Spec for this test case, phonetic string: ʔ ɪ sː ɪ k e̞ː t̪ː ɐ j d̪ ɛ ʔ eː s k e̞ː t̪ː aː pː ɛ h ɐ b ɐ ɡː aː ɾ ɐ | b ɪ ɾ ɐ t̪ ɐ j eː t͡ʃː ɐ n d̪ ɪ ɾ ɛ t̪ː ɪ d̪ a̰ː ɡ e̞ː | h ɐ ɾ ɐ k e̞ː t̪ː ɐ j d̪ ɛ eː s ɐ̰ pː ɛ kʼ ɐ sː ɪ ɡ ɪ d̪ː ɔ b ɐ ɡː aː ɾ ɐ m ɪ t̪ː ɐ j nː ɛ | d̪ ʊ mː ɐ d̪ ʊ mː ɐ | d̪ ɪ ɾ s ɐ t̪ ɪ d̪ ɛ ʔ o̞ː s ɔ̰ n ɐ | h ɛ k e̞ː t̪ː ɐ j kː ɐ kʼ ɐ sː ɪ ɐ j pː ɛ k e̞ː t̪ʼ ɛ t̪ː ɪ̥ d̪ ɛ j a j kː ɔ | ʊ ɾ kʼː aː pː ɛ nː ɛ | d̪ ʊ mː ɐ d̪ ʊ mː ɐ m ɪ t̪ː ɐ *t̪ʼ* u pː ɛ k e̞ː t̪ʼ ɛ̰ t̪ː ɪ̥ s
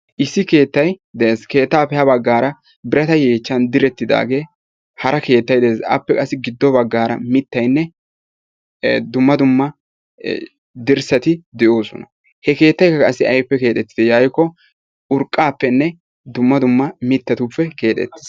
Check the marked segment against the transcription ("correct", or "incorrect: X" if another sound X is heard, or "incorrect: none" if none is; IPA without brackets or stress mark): incorrect: t̪